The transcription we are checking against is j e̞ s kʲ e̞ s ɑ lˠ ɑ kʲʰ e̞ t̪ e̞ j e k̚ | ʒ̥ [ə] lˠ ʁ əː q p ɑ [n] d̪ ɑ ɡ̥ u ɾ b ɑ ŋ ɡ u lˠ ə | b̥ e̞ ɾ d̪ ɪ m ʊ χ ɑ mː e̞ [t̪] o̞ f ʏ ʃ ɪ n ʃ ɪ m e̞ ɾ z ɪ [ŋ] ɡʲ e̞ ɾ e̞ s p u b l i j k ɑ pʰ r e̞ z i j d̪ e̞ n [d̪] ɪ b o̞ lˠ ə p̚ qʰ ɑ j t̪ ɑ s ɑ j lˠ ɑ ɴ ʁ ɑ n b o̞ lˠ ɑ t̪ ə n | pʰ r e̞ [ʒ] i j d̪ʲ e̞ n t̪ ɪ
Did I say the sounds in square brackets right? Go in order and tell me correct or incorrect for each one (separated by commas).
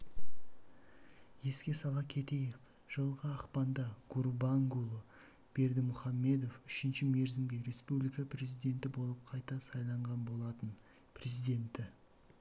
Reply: correct, correct, incorrect, incorrect, incorrect, incorrect